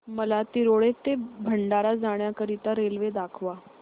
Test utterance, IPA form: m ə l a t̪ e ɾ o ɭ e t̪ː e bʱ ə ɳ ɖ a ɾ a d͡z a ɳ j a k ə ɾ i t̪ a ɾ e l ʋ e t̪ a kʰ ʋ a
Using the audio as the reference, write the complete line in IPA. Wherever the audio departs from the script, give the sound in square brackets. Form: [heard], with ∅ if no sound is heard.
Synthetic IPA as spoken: m ə l a t̪ [i] ɾ o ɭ e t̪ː e bʱ ə ɳ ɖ a ɾ a d͡z a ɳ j a k ə ɾ i t̪ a ɾ e l ʋ e [d̪] a kʰ ʋ a